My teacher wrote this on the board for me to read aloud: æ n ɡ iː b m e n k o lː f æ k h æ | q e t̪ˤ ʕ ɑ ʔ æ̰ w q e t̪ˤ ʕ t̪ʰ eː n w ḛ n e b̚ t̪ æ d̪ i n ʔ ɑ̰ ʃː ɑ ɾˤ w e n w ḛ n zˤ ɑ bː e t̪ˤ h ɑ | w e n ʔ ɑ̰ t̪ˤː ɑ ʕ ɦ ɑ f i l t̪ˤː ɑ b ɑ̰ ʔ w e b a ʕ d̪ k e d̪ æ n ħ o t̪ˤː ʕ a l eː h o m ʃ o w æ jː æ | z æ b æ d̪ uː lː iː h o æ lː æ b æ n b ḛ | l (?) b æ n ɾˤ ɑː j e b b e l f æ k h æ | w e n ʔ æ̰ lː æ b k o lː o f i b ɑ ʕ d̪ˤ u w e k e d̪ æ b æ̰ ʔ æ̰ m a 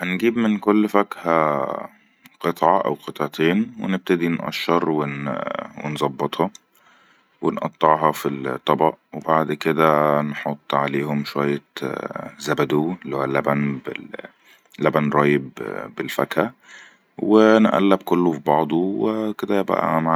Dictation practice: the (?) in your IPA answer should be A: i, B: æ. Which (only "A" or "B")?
B